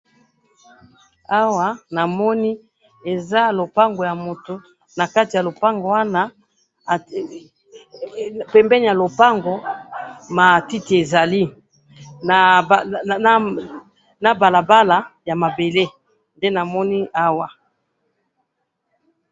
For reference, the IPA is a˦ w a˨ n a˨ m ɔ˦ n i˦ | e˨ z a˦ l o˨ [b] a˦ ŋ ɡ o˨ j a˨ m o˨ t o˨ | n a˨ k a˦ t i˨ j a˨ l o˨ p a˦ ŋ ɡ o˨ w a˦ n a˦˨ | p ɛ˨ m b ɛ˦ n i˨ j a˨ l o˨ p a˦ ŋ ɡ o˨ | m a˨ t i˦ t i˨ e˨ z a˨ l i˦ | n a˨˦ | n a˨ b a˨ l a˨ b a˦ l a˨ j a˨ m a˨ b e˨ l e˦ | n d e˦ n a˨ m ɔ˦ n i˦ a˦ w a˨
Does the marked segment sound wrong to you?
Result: yes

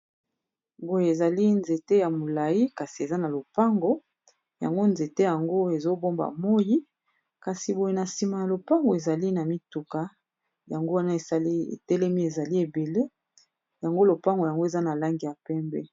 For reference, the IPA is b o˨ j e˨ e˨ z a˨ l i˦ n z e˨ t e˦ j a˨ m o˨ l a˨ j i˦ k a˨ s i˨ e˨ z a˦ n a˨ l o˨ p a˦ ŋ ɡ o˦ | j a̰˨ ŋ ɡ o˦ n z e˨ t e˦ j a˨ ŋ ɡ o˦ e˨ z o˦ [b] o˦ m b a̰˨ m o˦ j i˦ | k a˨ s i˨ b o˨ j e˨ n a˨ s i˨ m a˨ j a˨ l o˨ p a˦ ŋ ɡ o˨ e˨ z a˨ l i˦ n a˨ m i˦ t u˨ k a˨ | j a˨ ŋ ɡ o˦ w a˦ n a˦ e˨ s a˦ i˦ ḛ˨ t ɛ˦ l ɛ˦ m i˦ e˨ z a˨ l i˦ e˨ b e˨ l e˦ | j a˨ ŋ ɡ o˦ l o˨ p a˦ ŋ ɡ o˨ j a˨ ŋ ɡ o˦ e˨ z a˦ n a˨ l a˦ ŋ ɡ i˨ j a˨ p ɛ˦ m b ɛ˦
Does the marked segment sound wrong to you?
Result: no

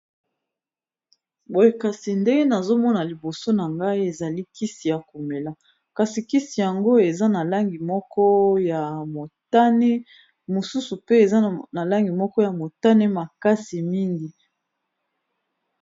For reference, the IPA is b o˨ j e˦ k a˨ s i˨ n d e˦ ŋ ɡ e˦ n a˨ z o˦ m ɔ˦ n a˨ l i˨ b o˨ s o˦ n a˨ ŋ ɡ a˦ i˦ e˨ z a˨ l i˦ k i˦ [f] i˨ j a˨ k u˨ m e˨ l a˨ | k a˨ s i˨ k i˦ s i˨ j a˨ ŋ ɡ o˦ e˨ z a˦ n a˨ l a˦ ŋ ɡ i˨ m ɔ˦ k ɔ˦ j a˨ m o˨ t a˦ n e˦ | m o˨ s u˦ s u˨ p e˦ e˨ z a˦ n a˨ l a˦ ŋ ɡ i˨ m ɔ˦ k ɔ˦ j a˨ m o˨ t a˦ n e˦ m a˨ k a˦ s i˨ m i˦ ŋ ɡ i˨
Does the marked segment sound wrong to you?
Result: yes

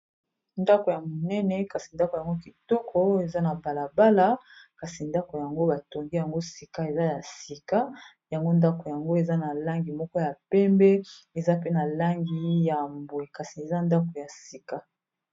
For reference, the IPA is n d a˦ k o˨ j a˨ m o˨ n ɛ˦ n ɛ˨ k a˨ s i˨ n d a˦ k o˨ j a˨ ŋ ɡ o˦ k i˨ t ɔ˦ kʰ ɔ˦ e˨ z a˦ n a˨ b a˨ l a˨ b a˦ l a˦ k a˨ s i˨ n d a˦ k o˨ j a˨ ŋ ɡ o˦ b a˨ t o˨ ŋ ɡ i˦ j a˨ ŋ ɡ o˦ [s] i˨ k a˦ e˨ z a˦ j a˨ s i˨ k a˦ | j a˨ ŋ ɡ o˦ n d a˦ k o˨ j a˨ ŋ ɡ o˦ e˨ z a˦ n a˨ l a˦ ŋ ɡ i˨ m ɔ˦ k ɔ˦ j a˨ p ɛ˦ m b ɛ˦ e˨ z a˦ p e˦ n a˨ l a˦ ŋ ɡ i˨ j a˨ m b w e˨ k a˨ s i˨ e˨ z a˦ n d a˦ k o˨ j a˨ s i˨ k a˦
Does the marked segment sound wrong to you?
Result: no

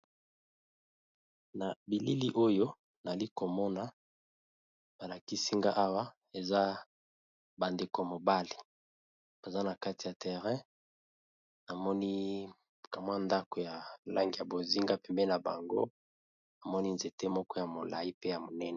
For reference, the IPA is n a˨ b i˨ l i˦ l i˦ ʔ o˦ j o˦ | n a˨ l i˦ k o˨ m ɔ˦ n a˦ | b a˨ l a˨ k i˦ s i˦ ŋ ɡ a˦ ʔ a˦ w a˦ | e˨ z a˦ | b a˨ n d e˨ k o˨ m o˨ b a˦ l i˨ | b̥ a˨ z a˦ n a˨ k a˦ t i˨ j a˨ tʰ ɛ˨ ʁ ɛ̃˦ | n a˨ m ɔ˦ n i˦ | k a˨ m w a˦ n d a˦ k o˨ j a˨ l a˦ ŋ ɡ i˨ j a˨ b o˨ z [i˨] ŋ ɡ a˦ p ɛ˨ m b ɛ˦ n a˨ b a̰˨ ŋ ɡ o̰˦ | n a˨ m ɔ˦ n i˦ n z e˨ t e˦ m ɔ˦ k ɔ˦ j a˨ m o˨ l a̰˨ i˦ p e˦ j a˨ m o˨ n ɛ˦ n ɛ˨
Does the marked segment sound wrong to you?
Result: yes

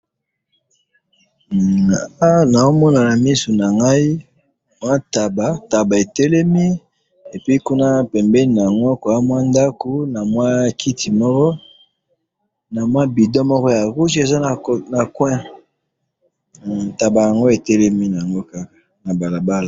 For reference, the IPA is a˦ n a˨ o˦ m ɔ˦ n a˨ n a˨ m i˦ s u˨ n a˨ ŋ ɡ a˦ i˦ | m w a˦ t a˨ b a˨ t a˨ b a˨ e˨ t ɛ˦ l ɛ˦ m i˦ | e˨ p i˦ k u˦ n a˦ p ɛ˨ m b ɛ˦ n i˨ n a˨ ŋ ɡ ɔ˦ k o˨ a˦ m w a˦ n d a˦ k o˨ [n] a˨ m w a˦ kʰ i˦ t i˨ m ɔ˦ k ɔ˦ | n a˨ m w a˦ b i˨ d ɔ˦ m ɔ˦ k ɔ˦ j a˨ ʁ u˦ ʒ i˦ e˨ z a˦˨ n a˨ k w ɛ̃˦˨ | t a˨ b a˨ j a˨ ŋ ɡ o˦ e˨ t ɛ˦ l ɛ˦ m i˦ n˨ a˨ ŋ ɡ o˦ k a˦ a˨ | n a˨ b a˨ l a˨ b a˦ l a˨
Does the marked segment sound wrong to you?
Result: no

